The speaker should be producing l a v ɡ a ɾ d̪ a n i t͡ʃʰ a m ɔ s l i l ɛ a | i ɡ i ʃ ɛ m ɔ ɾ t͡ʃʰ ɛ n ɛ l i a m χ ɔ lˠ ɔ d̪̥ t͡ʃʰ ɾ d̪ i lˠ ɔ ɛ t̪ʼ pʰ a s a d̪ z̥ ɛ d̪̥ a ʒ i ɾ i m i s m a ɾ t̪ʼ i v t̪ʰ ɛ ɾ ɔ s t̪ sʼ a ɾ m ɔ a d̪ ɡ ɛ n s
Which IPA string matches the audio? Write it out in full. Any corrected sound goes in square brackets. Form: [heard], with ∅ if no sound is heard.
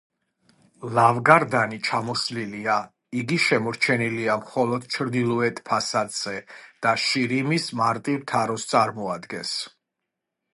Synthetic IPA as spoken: l a v ɡ a ɾ d̪ a n i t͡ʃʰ a m ɔ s l i l [i] a | i ɡ i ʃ ɛ m ɔ ɾ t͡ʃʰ ɛ n [i] l i a m χ ɔ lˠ ɔ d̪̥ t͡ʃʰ ɾ d̪ i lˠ ɔ ɛ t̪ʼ pʰ a s a d̪ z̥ ɛ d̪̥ a [ʃ] i ɾ i m i s m a ɾ t̪ʼ i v t̪ʰ [a] ɾ ɔ s t̪ sʼ a ɾ m ɔ a d̪ ɡ ɛ n s